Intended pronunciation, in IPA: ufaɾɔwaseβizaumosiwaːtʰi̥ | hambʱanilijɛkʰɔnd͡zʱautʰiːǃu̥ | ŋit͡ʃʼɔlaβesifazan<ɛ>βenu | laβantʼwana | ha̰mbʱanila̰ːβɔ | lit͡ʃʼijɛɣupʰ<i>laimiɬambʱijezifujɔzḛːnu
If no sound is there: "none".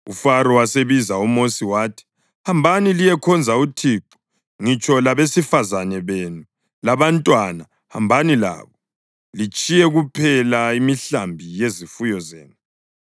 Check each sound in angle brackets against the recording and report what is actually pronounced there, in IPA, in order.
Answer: ɛ, ɛ

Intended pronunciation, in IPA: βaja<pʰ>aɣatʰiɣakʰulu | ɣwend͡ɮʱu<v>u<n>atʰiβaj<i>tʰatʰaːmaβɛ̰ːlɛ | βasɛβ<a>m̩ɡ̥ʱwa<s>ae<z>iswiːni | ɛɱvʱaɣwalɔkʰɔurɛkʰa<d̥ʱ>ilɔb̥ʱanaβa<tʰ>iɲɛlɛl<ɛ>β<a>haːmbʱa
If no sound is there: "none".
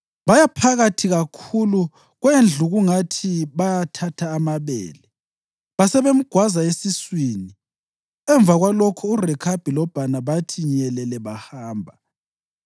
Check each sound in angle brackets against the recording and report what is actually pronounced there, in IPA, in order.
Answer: pʰ, ɣ, ŋ, a, e, z, s, b̥ʱ, tʰ, ɛ, a

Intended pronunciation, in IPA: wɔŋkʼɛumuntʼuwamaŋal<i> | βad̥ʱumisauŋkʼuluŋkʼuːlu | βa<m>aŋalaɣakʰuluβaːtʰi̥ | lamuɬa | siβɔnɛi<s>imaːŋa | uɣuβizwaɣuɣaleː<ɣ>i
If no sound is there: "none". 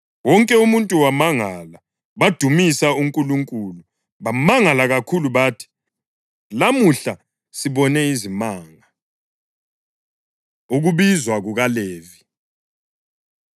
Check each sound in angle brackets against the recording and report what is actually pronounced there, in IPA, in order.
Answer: a, m, z, v

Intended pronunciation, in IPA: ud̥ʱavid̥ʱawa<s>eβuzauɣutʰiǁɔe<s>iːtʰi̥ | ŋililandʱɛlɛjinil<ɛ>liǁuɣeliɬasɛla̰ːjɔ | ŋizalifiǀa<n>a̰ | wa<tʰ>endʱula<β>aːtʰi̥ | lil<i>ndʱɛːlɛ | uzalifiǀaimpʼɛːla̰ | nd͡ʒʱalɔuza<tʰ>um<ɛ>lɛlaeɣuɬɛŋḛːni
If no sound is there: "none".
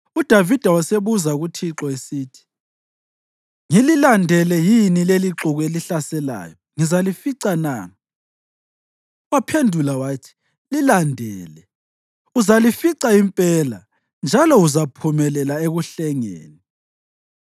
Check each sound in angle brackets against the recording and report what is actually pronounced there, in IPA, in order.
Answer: s, s, e, n, pʰ, w, a, pʰ, ɛ

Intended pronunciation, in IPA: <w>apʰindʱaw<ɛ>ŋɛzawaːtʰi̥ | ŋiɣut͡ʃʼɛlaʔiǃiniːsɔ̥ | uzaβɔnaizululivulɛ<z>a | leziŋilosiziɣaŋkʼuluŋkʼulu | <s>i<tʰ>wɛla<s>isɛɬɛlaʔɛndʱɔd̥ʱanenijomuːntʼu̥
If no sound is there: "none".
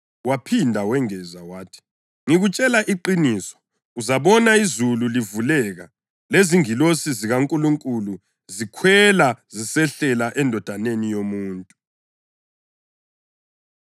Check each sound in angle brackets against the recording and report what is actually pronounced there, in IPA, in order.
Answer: w, ɛ, ɣ, z, kʰ, z

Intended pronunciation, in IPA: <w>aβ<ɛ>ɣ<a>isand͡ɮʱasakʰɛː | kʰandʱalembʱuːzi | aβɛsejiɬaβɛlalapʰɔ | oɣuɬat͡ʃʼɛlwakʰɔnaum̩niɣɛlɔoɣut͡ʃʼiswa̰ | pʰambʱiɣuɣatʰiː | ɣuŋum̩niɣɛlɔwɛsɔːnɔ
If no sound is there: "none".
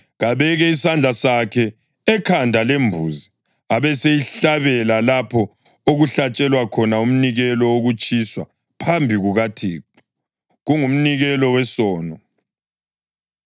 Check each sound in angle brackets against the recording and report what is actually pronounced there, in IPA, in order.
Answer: ɣ, ɛ, ɛ

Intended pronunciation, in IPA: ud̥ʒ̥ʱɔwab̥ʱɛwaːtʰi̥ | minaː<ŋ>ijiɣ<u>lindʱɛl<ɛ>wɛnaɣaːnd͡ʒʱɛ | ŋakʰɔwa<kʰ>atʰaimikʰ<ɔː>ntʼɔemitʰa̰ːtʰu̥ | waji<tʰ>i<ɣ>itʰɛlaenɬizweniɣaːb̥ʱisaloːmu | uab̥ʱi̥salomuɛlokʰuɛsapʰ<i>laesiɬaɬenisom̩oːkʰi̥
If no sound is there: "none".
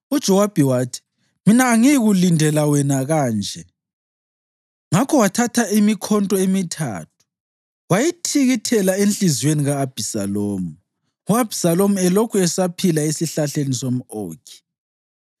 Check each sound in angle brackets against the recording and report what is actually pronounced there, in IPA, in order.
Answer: ŋ, u, a, tʰ, ɔ, tʰ, ɣ, i

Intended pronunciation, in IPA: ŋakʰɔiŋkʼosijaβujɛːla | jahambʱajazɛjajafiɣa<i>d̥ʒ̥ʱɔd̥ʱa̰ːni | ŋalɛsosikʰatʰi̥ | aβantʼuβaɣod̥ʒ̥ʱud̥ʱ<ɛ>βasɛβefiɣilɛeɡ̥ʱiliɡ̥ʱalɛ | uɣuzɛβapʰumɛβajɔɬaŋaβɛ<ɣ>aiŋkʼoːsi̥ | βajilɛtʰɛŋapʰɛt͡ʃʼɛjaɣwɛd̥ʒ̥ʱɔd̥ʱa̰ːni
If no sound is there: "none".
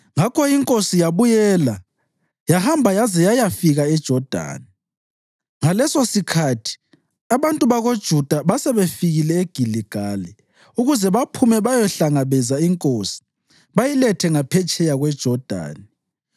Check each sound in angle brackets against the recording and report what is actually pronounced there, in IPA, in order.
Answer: ɛ, a, z

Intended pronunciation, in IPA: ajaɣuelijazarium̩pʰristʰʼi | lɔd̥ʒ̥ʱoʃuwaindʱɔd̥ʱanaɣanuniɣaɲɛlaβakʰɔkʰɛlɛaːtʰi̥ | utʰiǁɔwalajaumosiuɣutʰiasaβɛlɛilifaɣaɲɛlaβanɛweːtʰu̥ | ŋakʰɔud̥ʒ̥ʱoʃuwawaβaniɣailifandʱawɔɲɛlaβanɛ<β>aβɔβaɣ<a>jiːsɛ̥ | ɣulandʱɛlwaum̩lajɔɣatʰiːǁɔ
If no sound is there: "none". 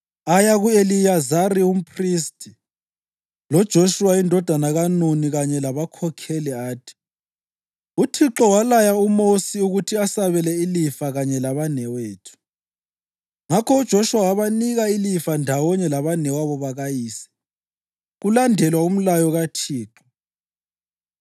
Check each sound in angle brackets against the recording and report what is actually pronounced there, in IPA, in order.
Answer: w, a

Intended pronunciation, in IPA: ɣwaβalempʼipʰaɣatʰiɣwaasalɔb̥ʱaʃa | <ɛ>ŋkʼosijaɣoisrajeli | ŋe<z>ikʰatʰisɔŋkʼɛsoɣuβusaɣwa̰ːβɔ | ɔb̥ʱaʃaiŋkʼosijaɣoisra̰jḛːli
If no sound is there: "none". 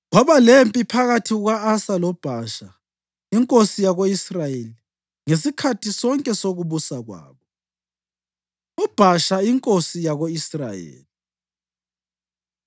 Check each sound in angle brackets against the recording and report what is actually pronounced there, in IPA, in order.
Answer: i, s

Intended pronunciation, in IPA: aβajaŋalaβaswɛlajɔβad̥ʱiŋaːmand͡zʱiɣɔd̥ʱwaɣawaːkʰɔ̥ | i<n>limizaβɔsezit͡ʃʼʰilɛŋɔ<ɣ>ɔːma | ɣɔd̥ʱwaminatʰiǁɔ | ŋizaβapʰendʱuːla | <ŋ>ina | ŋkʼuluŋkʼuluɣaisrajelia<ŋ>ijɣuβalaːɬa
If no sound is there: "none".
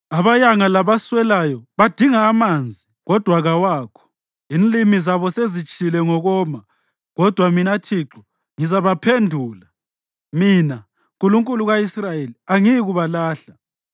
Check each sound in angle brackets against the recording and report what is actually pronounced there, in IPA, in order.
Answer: n, ɣ, m, ŋ

